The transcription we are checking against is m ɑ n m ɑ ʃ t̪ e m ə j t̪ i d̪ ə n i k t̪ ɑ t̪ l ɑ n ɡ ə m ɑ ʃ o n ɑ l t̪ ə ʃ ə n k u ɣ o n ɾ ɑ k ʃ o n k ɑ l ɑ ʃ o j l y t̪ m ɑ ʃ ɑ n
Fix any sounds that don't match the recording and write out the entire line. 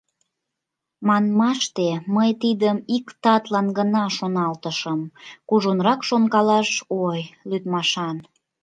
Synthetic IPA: m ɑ n m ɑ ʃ t̪ e m ə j t̪ i d̪ ə m i k t̪ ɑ t̪ l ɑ n ɡ ə n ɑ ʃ o n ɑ l t̪ ə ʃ ə m k u ʒ o n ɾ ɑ k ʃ o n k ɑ l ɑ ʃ o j l y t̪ m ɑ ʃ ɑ n